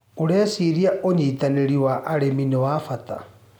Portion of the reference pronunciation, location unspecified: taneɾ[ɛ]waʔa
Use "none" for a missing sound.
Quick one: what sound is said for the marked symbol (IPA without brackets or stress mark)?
i